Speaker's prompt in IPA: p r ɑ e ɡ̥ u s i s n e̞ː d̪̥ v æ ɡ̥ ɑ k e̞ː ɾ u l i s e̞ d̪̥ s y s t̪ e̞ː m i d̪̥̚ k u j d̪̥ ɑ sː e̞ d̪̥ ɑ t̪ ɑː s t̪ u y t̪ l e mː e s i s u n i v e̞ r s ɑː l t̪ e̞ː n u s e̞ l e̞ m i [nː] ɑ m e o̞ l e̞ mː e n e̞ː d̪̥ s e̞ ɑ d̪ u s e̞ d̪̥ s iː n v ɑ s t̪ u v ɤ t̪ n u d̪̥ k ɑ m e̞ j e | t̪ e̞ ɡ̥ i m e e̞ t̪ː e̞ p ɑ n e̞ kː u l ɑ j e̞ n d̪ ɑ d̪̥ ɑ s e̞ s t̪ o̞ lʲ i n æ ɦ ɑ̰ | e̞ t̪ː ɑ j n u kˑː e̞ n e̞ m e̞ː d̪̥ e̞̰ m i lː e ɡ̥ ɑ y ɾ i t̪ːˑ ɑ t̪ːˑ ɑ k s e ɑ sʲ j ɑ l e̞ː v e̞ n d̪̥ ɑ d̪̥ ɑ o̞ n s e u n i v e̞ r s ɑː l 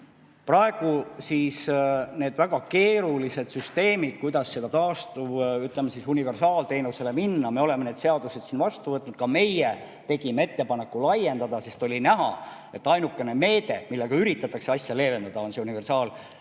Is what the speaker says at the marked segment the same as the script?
yes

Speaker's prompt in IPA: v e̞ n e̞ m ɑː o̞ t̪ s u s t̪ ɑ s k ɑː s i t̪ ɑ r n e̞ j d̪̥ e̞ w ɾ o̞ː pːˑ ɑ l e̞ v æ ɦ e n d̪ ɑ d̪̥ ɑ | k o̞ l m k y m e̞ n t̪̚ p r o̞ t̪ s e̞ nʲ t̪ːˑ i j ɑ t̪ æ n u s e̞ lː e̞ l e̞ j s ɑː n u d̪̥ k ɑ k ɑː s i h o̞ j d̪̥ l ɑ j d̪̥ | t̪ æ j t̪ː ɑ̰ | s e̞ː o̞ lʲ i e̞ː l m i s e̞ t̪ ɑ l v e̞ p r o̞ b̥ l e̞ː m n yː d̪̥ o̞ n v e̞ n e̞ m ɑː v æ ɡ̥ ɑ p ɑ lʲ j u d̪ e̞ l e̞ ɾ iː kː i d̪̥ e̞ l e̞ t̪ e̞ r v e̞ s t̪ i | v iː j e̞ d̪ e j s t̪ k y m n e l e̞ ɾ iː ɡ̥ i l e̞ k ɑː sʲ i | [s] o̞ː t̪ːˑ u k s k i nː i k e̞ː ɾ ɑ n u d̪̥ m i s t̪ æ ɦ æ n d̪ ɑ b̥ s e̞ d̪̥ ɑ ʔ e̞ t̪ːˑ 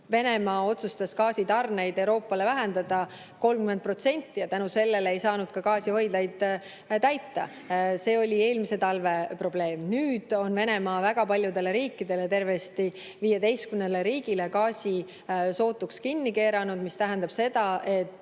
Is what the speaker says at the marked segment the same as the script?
yes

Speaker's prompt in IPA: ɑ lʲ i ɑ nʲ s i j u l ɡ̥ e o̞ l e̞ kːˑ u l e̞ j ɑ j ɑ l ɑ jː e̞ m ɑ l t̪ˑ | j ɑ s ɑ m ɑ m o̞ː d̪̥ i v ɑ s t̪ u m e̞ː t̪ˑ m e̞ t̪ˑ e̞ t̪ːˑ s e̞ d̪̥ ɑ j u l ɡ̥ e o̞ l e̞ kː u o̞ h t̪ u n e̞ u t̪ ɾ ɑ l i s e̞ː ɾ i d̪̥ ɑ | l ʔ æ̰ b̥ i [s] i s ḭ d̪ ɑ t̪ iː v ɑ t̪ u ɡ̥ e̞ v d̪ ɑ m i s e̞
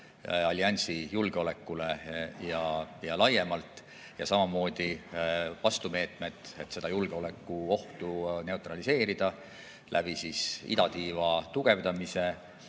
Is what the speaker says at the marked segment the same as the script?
yes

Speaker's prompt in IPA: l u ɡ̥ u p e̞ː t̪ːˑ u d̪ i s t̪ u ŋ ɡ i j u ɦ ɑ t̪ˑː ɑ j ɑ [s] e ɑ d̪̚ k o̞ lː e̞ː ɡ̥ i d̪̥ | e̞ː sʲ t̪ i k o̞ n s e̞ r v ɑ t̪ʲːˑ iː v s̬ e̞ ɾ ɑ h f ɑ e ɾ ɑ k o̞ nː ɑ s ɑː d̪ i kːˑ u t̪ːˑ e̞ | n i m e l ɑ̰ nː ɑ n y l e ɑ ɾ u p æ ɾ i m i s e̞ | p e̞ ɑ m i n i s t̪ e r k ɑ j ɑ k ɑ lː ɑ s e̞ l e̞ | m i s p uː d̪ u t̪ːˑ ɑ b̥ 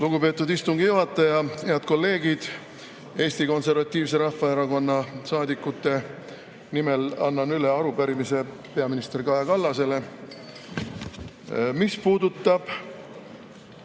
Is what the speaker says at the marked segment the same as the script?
no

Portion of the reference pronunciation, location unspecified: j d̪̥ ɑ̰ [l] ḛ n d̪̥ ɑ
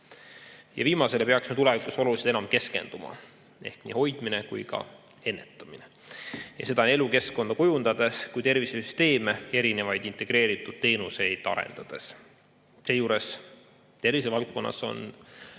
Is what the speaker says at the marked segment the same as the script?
no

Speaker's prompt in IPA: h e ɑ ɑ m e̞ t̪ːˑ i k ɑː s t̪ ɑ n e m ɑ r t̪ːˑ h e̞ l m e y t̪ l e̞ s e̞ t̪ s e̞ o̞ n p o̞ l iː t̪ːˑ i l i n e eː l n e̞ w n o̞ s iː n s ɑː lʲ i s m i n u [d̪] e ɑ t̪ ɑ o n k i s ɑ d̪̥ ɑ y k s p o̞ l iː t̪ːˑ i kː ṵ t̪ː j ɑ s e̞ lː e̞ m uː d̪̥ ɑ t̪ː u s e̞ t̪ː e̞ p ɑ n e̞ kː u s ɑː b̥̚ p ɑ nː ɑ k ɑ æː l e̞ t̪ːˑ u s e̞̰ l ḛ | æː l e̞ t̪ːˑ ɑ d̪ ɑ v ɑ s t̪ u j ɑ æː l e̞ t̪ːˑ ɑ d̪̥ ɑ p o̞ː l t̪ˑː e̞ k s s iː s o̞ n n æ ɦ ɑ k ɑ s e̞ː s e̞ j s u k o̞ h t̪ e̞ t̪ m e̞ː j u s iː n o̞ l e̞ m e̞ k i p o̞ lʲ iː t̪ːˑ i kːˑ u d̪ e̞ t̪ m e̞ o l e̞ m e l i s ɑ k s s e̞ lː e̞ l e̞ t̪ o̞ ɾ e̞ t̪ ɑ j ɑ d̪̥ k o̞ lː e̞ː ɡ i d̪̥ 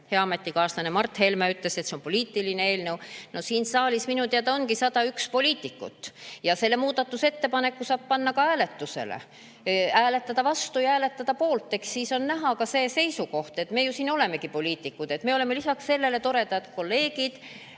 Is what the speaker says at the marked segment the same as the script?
no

